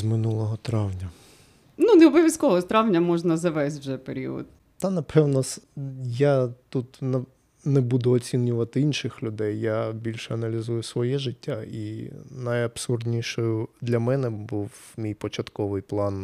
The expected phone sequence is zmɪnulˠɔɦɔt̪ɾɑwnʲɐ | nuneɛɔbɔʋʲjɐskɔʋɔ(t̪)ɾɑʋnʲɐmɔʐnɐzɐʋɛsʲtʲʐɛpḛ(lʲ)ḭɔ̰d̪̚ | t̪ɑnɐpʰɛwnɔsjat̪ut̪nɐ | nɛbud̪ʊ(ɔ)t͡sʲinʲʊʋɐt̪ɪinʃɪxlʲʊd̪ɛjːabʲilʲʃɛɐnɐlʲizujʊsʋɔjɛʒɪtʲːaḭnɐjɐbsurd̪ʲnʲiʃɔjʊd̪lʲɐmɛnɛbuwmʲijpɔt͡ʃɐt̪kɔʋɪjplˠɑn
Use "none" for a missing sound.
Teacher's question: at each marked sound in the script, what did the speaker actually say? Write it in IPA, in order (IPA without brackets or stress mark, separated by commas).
t̪, ɾʲ, ɔ